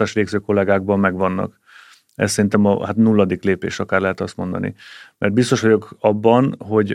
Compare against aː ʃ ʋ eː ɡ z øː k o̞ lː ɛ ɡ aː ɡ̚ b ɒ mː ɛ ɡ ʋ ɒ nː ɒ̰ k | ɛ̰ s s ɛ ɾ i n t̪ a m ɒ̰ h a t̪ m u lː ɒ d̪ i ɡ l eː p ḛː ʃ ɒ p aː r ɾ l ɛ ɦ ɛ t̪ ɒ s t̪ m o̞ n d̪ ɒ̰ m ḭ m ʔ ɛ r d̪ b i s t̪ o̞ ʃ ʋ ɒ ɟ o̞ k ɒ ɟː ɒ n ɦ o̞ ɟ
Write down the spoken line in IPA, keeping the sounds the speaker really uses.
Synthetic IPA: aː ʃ ʋ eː ɡ z øː k o̞ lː ɛ ɡ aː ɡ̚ b ɒ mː ɛ ɡ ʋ ɒ nː ɒ̰ k | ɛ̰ s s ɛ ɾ i n t̪ ɛ m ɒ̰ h a t̪ n u lː ɒ d̪ i k l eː p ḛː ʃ ɒ k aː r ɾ l ɛ ɦ ɛ t̪ ɒ s t̪ m o̞ n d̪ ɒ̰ n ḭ m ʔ ɛ r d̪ b i s t̪ o̞ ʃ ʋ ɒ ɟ o̞ k ɒ bː ɒ n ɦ o̞ ɟ